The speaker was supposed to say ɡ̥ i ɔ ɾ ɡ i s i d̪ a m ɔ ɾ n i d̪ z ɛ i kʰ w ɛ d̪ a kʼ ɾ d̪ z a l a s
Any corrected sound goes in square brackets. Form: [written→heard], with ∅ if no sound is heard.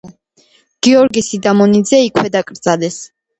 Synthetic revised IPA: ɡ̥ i ɔ ɾ ɡ i s i d̪ a m ɔ [ɾ→∅] n i d̪ z ɛ i kʰ w ɛ d̪ a kʼ ɾ d̪ z a l [a→ɛ] s